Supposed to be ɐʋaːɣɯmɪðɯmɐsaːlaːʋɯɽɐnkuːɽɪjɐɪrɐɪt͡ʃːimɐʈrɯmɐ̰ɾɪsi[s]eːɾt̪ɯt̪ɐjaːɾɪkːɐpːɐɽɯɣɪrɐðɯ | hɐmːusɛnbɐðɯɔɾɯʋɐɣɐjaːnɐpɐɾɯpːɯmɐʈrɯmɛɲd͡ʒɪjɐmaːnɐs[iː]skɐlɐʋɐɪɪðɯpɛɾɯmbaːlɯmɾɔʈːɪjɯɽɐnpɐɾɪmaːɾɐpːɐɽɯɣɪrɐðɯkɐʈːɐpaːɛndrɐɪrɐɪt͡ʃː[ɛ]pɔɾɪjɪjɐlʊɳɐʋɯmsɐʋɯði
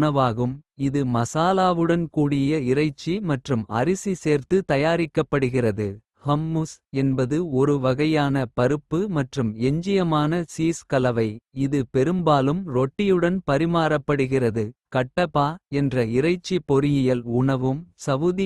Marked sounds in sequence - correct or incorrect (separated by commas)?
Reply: correct, correct, incorrect